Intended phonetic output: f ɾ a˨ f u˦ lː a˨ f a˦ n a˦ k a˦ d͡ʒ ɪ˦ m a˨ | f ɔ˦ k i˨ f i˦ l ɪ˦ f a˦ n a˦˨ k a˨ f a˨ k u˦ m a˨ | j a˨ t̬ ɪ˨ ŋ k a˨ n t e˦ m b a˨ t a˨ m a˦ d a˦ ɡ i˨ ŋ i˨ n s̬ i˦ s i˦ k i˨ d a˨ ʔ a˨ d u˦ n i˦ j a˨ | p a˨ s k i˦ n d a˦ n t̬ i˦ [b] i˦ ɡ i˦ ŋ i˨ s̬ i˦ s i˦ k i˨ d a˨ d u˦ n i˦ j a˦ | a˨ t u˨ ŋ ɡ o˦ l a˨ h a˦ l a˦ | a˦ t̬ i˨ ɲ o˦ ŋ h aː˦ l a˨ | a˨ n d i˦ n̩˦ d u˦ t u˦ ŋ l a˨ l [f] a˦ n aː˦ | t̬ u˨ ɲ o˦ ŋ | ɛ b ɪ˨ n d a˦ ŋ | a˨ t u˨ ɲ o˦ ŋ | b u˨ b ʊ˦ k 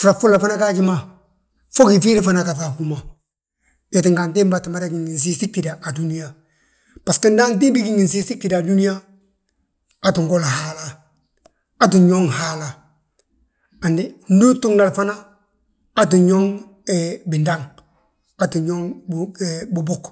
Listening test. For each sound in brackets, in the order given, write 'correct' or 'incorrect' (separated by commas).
correct, correct